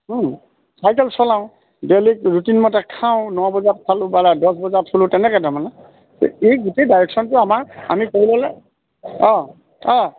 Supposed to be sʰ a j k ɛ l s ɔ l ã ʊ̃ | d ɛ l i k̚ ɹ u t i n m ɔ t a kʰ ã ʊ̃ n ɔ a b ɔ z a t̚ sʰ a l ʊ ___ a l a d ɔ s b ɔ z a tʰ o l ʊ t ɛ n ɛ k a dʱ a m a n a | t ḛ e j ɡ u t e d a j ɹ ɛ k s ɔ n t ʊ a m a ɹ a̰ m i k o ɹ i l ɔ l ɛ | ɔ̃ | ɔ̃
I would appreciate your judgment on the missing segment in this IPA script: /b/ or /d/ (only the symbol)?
b